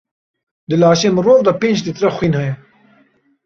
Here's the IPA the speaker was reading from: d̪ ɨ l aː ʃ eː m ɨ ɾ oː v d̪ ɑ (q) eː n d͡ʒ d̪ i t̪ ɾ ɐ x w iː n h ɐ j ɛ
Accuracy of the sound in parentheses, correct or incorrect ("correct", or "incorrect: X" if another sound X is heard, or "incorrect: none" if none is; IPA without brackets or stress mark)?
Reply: incorrect: p